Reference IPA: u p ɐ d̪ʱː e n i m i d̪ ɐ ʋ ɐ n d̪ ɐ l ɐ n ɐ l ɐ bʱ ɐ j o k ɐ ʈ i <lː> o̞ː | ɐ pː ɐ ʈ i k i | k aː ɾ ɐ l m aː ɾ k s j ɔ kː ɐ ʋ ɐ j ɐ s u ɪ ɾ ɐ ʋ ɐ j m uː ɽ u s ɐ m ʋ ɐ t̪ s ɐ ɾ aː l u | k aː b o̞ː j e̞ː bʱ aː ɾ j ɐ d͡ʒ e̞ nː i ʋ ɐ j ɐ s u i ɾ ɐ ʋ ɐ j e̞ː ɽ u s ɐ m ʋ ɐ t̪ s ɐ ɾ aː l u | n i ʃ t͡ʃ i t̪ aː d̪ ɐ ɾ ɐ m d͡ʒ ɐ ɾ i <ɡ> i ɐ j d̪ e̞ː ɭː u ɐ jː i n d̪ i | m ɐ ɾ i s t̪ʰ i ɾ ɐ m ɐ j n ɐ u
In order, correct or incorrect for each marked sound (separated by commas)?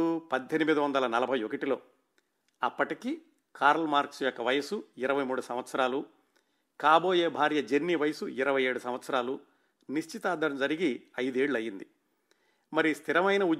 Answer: incorrect, correct